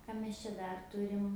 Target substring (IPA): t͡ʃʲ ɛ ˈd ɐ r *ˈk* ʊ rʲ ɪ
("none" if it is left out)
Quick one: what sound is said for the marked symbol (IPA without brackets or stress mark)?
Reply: t